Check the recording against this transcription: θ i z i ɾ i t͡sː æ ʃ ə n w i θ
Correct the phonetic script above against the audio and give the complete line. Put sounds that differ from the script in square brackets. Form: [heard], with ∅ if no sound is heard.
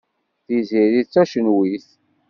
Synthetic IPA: θ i z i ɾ i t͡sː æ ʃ ə n w i θ